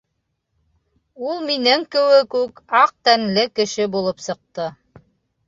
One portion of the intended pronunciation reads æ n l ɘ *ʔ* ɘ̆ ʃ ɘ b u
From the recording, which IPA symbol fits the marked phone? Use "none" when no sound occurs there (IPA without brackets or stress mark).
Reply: k